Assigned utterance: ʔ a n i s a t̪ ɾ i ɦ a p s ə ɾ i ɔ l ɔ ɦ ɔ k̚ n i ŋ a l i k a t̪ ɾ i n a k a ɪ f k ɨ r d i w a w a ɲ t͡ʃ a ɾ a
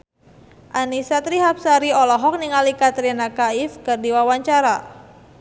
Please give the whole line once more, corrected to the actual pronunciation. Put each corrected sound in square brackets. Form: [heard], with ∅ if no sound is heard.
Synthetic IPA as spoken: ʔ a n i s a t̪ ɾ i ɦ a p s [a] ɾ i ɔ l ɔ ɦ ɔ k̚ n i ŋ a l i k a t̪ ɾ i n a k a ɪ f k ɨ r d i w a w a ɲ t͡ʃ a ɾ a